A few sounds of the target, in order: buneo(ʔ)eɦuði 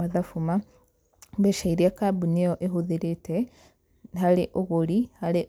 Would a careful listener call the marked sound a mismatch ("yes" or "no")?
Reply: no